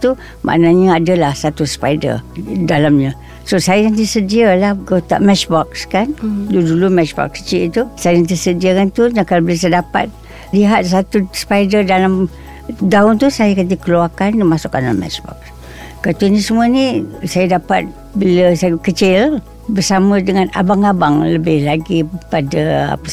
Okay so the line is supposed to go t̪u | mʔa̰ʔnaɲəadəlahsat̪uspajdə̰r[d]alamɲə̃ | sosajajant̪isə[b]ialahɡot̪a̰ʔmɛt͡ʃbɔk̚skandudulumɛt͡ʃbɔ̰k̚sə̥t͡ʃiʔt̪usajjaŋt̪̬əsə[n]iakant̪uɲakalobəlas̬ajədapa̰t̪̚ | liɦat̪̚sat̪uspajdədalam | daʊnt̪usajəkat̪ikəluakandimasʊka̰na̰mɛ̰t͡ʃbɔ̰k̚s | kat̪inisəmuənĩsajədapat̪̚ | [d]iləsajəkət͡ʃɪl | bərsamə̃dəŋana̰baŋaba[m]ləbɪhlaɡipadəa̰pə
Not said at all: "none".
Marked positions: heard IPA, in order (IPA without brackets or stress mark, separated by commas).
d, d, d, b, ŋ